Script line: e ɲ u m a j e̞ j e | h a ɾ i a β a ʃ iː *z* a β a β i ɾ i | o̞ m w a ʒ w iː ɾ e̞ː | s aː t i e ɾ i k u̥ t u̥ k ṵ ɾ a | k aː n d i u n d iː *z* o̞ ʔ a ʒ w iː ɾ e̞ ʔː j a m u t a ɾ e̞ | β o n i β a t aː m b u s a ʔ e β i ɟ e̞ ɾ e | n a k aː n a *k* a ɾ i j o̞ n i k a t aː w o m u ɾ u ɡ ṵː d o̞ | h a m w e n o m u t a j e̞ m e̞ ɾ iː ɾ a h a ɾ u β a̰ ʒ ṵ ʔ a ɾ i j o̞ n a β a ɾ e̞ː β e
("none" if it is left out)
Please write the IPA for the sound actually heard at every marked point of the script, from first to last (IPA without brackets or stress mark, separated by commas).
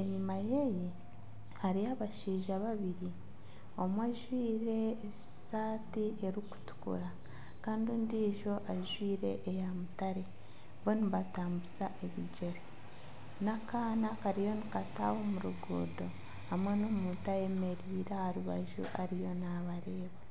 ʒ, ʒ, k